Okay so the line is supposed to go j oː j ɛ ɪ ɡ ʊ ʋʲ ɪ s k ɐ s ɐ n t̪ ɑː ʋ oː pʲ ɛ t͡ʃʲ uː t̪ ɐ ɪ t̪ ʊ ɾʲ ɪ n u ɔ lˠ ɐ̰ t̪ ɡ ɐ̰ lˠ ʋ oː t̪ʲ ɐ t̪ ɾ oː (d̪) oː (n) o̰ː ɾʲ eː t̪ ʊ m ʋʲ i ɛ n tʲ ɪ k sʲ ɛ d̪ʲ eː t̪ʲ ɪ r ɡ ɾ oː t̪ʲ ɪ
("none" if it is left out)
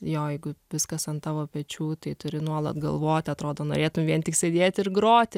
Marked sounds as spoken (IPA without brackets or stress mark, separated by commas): d̪, n